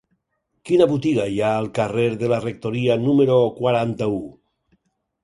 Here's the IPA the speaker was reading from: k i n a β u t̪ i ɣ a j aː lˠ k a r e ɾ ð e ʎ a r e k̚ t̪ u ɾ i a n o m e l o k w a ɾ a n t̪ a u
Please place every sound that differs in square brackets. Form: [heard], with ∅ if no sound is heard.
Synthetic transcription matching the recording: k i n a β u t̪ i ɣ a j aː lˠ k a r e ɾ ð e [l] a r e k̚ t̪ [o] ɾ i a n [u] m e [ɾ] o k w a ɾ a n t̪ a u